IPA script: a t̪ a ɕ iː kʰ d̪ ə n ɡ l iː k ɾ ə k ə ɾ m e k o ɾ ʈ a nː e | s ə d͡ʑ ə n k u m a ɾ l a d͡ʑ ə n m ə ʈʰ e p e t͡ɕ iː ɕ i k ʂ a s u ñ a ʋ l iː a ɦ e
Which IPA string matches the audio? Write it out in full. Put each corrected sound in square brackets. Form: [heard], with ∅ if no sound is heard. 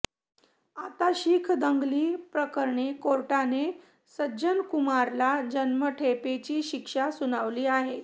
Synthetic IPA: a t̪ a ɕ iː kʰ d̪ ə [ŋ] ɡ l iː [p] ɾ ə k ə ɾ [ɳ] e k o ɾ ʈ a [n] e | s ə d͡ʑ ə n k u m a ɾ l a d͡ʑ ə n m ə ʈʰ e p e t͡ɕ iː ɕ i k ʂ a s u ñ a ʋ l iː a ɦ e